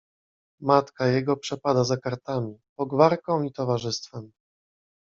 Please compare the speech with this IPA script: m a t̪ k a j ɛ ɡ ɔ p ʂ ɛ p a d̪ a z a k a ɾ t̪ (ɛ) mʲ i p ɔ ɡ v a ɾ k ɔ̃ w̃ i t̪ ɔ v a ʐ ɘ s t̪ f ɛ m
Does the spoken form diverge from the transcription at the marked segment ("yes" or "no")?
yes